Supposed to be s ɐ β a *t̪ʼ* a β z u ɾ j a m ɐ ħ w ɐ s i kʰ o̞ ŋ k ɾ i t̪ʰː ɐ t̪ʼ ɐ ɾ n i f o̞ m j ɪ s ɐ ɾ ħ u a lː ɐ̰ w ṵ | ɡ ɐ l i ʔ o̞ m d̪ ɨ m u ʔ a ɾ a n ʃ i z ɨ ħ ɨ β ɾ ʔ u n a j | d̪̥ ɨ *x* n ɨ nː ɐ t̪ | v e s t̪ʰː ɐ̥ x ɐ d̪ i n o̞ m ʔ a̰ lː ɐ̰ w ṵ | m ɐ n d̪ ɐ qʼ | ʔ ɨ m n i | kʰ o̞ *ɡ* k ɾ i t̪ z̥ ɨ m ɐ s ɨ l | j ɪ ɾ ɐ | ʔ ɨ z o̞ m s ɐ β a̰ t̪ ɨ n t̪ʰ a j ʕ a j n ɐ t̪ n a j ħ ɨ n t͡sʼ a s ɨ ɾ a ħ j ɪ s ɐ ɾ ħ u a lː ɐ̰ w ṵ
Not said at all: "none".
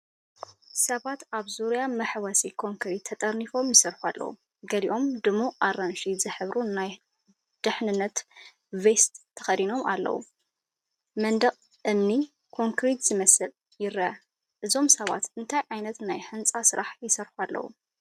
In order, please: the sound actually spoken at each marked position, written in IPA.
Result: t̪, ħ, ŋ

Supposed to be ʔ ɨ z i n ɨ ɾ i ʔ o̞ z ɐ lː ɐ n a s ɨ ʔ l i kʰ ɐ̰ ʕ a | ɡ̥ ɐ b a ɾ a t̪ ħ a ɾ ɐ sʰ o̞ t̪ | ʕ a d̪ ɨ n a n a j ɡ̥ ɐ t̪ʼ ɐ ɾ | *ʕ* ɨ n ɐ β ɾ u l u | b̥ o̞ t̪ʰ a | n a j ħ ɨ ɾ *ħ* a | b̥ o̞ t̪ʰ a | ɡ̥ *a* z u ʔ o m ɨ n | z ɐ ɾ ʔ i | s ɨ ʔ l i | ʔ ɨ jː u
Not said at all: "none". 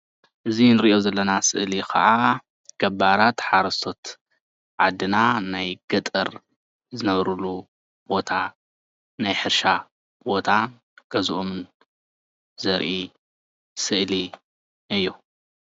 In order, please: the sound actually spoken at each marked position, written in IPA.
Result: z, ʃ, ɐ

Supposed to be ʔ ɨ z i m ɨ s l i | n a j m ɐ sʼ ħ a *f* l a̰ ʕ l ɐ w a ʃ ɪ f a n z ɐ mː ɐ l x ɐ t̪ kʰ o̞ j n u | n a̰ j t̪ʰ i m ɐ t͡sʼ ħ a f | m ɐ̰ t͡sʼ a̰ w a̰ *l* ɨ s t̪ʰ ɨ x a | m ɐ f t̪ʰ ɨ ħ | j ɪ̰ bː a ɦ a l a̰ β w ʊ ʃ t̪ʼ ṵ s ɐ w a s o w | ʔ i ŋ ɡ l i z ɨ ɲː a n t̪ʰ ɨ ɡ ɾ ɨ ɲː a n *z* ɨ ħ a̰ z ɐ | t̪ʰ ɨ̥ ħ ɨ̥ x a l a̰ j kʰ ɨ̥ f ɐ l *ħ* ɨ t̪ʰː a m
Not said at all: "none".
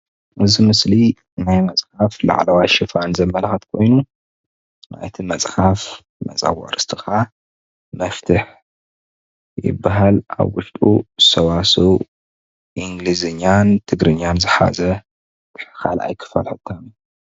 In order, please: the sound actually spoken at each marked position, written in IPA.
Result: f, ɾ, z, ħ

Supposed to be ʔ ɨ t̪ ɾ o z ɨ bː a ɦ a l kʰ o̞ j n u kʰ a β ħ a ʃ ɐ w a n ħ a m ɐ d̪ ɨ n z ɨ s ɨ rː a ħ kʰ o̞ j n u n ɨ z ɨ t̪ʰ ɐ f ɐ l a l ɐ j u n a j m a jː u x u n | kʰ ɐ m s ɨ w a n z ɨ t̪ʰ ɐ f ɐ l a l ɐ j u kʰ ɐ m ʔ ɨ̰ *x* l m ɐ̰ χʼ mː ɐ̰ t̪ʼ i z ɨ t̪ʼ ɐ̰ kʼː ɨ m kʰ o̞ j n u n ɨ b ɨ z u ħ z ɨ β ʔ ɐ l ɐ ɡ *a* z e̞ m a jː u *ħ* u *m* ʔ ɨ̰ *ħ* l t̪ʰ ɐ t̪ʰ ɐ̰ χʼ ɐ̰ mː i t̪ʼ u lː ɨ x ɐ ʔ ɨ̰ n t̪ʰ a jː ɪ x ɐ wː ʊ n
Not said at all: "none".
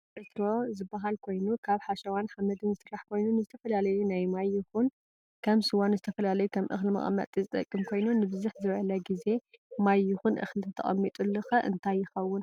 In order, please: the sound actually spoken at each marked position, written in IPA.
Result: x, i, x, n, x

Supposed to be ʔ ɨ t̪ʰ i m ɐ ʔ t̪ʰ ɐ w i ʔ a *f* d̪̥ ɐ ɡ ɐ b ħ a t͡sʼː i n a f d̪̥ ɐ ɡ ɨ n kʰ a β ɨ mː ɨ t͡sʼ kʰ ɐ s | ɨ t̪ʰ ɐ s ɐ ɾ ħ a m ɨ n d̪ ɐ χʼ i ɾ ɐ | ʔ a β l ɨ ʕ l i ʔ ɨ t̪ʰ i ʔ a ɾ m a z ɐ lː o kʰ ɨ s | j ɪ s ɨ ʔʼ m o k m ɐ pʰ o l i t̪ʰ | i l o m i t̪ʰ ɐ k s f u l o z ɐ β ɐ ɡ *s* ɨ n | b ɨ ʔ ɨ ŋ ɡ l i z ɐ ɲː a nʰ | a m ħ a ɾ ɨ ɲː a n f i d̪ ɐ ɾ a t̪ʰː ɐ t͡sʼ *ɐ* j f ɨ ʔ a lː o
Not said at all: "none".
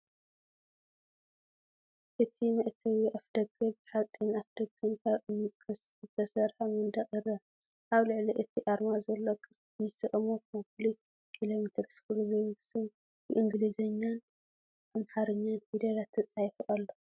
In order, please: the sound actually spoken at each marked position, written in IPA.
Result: f, s, a

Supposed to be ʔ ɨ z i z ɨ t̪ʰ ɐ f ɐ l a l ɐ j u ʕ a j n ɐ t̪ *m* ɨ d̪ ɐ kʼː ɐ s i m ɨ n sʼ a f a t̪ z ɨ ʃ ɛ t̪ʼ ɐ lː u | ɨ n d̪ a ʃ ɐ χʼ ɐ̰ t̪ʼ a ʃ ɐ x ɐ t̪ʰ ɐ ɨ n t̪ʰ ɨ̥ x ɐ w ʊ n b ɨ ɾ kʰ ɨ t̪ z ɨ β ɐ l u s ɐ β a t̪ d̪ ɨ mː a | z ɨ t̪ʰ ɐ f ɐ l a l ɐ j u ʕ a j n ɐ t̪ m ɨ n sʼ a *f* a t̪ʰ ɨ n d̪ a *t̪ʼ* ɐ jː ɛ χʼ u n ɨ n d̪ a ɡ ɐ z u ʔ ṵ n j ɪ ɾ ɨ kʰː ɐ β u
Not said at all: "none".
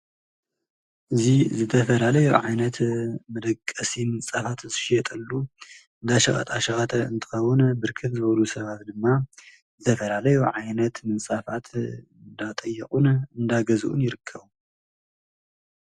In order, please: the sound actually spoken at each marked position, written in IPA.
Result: m, f, t̪ʼ

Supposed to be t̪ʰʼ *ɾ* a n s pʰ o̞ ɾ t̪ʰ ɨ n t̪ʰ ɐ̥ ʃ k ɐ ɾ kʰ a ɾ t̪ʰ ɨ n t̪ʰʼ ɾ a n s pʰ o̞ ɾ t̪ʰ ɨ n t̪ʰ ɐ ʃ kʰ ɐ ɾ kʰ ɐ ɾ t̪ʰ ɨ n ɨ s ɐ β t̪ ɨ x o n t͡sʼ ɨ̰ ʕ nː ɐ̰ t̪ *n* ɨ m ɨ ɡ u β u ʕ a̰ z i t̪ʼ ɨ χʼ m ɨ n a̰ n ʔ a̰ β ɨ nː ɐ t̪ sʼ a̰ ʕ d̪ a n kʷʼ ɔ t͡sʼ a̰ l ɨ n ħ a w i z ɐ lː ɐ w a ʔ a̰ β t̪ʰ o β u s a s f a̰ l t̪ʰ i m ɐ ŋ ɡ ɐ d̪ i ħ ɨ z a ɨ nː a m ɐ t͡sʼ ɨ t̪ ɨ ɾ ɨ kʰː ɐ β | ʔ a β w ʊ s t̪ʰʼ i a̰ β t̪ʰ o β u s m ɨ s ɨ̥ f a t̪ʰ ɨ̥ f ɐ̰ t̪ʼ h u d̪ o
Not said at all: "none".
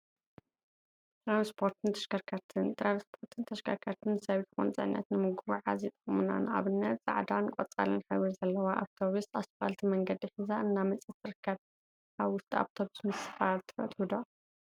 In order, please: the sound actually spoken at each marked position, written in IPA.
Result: ɾ, n

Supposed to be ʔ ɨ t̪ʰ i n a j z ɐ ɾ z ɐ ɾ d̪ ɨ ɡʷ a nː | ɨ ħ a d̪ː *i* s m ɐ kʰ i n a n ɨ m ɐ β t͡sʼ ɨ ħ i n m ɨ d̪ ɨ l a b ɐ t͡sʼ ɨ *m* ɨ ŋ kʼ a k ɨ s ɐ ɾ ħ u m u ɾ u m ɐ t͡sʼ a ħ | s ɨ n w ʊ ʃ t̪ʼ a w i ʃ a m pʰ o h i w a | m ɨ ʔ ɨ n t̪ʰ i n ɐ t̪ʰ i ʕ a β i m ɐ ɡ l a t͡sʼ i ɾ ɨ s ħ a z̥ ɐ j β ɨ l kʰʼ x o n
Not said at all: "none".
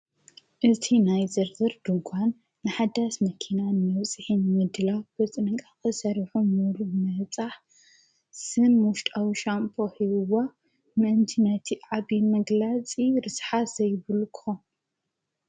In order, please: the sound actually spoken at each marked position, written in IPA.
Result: a, n

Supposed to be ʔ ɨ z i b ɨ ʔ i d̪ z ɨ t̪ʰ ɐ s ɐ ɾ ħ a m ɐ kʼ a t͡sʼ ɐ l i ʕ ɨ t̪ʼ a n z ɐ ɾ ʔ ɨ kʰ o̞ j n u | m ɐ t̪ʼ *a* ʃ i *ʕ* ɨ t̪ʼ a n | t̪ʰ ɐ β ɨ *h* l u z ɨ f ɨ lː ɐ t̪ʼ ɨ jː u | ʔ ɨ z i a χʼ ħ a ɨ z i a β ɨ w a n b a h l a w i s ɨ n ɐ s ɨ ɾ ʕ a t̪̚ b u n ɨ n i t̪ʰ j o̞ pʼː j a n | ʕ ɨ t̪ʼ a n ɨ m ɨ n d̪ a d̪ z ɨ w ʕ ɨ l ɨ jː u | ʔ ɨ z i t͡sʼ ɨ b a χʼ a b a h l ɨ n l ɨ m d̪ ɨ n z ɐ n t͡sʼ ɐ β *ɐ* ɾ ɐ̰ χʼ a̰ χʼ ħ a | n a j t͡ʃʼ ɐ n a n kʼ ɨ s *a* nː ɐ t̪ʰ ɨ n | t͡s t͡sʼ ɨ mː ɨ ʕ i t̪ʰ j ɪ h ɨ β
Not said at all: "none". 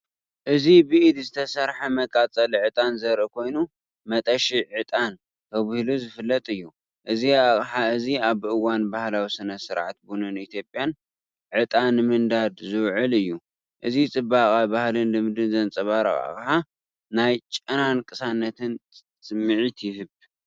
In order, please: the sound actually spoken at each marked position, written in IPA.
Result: ɐ, ʕ, h, a, a

